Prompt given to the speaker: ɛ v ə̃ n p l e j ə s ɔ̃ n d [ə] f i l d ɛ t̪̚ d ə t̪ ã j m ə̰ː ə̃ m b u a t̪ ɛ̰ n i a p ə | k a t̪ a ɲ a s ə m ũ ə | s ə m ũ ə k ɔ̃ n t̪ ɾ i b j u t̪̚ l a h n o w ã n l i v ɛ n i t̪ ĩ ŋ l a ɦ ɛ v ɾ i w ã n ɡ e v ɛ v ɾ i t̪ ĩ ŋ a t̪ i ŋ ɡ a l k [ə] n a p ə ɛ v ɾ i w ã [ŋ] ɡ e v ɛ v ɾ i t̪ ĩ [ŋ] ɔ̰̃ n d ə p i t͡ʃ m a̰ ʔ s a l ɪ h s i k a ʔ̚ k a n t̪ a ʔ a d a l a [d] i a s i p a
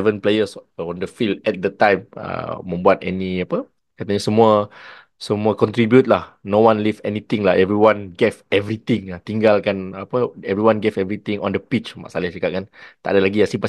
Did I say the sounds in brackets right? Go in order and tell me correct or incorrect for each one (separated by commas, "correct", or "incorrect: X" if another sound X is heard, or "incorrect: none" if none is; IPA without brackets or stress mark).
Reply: correct, incorrect: a, incorrect: n, correct, incorrect: ɡ